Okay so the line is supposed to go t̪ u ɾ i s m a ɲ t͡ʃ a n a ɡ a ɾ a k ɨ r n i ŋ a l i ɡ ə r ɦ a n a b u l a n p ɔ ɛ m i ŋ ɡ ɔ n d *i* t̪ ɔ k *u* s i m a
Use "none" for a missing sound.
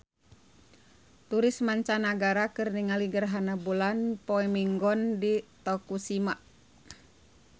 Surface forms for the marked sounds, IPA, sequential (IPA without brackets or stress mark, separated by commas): i, u